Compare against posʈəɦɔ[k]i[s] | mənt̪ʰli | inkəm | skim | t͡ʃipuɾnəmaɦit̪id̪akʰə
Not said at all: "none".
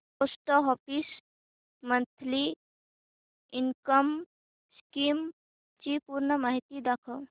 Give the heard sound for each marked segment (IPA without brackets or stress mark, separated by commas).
p, s